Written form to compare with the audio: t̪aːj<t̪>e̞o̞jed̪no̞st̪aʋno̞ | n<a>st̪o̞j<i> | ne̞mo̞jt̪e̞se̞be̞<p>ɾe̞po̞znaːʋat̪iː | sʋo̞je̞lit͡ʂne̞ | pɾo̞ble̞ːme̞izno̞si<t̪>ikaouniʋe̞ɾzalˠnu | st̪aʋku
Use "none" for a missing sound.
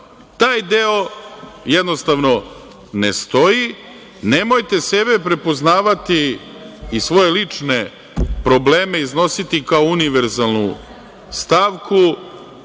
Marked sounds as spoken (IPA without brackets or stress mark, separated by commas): d̪, e, i, p, t̪